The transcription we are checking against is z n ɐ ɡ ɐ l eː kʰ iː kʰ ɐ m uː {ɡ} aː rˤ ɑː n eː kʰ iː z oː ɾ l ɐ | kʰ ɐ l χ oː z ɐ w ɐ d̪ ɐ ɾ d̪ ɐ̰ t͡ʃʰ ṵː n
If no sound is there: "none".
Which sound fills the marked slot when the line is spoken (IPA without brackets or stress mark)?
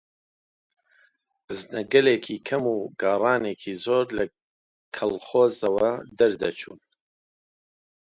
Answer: ɡ